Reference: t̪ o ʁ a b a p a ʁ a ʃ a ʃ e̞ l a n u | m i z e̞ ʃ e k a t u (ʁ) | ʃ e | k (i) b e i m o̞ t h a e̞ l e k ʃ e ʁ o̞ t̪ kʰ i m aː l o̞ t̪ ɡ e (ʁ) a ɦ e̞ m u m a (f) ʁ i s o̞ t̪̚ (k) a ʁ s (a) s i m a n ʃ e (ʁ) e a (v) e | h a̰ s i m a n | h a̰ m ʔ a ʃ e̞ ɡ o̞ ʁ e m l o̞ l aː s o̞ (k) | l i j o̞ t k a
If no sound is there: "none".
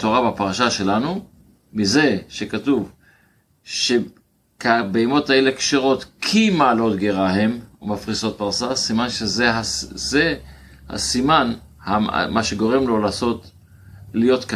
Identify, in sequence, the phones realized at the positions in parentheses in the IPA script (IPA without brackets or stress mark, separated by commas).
v, a, ʁ, f, p, a, z, z, t